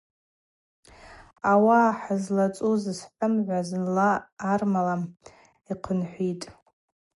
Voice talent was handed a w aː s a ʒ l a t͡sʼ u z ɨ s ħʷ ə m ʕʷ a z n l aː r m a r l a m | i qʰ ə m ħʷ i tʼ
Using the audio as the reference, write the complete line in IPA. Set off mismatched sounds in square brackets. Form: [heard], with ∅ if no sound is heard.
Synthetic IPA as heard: a w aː [ħ] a [z] l a t͡sʼ u z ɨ s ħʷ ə m ʕʷ a z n l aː r m a [∅] l a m | i qʰ ə [n] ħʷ i tʼ